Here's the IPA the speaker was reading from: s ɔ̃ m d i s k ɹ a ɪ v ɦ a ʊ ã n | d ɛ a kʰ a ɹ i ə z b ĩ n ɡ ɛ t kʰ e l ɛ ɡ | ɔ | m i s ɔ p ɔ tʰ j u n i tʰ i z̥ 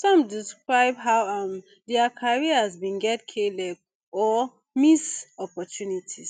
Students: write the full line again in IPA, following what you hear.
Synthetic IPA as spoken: s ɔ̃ m d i s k ɹ a ɪ b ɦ a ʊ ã m | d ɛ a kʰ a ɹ i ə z b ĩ n ɡ ɛ t kʰ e l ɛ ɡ | ɔ | m i s ɔ p ɔ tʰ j u n i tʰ i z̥